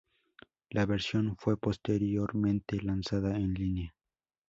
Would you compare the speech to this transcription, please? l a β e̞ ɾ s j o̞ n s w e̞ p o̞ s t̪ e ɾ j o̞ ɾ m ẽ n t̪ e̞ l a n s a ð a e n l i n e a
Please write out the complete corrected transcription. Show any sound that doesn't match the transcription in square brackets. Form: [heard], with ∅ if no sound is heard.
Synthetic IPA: l a β e̞ ɾ s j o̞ n [f] w e̞ p o̞ s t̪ e ɾ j o̞ ɾ m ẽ n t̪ e̞ l a n s a ð a e n l i n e a